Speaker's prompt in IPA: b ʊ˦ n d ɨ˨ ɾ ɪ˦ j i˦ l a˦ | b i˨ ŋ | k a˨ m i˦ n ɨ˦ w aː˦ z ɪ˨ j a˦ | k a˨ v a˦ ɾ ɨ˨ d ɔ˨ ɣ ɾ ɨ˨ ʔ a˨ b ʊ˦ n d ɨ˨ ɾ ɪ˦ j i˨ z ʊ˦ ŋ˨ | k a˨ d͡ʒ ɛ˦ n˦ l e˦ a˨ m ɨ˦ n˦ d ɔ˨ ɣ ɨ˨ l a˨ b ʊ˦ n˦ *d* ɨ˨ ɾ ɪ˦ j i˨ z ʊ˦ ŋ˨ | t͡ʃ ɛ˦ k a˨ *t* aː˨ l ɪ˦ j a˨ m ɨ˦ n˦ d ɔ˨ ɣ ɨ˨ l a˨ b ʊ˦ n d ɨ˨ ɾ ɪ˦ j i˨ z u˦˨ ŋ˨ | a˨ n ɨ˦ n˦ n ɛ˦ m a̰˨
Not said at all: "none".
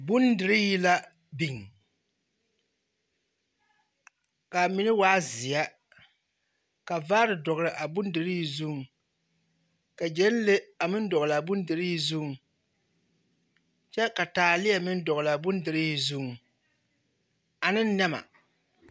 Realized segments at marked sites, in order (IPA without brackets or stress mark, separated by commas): d, t